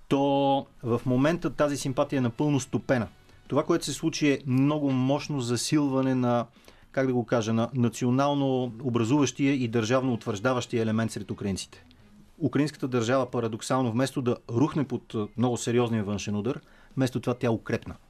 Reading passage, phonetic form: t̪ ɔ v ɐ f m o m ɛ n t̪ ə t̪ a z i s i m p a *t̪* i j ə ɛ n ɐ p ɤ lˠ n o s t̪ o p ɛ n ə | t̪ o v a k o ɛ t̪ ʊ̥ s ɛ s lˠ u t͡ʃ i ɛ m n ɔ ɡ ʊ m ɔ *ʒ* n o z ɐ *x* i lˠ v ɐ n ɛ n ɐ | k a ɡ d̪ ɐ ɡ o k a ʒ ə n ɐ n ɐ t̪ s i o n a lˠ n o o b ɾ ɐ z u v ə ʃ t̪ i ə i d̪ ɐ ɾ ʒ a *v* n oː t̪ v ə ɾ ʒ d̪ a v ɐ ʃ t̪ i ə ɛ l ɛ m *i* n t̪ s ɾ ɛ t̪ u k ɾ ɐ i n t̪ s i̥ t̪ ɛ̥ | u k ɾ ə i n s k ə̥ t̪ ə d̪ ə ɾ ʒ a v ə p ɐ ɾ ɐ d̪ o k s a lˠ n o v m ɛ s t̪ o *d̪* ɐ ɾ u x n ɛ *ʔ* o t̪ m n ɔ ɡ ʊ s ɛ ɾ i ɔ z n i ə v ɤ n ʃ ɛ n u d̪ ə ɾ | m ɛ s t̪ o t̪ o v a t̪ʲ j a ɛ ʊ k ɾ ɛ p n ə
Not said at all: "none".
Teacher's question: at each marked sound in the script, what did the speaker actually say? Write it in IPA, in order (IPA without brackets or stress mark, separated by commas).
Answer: t̪, ʃ, s, v, ɛ, d̪, p